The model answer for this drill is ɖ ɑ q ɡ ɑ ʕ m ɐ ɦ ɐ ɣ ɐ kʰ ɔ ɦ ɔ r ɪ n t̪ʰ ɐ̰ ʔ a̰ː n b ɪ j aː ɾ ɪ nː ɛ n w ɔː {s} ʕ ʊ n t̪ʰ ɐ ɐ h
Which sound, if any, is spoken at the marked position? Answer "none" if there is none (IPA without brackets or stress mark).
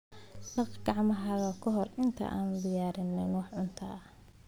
ħ